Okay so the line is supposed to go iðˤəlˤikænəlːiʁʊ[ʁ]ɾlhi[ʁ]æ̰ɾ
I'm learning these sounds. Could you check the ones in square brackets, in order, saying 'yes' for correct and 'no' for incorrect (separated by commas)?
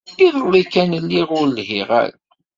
no, yes